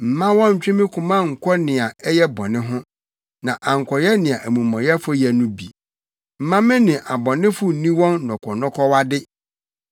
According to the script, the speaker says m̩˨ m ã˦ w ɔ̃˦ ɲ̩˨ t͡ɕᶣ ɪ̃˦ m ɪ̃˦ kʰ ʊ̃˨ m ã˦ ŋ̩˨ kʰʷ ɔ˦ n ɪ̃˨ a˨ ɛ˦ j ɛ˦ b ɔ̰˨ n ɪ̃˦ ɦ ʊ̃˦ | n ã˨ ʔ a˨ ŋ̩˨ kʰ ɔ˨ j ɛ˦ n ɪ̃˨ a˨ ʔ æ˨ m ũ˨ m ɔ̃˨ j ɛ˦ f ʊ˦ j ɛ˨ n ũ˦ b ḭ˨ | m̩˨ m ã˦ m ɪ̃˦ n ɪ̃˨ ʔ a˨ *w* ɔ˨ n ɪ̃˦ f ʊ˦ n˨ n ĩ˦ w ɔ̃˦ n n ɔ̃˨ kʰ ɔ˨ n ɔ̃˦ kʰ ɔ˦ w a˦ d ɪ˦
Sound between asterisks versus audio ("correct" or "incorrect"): incorrect